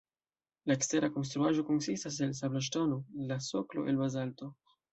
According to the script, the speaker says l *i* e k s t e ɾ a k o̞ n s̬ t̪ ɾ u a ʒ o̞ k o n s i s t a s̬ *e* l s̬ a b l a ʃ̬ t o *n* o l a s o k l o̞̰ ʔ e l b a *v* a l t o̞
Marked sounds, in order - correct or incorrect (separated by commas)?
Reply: incorrect, correct, correct, incorrect